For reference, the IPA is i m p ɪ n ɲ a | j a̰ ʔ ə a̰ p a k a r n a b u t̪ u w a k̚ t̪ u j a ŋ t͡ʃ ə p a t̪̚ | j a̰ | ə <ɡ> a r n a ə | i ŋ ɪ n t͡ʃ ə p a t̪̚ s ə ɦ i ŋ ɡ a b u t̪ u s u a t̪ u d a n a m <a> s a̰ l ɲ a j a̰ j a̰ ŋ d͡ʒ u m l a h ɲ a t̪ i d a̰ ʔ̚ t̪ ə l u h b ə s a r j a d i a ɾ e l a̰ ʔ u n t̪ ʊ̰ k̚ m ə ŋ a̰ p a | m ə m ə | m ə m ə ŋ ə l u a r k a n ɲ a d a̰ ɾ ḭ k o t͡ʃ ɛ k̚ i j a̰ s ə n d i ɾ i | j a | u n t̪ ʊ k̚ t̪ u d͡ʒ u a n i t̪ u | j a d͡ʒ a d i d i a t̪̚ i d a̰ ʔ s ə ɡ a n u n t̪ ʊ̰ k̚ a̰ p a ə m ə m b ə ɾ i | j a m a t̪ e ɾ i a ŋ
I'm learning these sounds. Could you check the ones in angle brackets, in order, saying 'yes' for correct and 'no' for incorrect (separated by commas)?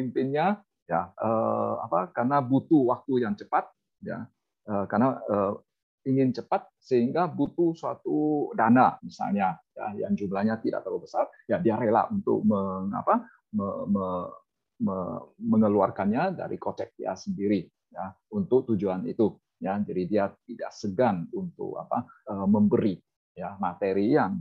no, no